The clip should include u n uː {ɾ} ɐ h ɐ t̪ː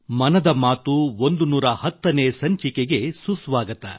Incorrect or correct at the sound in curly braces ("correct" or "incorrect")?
correct